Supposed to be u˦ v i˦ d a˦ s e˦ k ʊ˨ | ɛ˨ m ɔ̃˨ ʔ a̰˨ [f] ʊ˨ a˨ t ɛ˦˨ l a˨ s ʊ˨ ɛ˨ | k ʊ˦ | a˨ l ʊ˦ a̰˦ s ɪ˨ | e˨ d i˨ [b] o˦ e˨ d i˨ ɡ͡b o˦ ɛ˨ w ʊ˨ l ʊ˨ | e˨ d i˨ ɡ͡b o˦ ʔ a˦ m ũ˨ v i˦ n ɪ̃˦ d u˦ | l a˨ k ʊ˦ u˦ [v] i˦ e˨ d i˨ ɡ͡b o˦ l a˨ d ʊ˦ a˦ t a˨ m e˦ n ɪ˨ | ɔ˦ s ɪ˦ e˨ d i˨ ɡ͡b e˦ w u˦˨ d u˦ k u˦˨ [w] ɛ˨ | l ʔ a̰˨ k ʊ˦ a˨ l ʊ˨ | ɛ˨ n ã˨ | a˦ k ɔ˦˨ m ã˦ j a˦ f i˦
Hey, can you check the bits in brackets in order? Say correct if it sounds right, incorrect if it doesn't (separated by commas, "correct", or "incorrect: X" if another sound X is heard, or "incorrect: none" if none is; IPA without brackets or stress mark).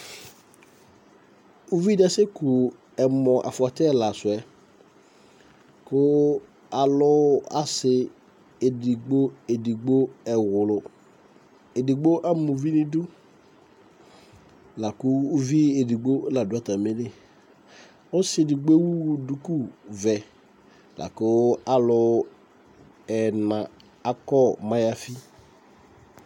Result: correct, incorrect: ɡ͡b, correct, incorrect: v